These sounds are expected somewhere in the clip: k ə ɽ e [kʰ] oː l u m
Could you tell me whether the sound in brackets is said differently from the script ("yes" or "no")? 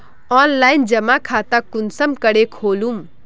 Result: no